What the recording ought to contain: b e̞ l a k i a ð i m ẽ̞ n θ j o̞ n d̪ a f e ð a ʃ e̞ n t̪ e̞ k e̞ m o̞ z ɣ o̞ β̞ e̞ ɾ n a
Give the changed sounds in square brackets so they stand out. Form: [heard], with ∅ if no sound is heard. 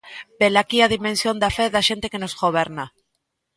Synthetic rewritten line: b e̞ l a k i a ð i m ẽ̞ n [s] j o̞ n d̪ a f e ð a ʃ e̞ n t̪ e̞ k e̞ [n] o̞ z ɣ o̞ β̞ e̞ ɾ n a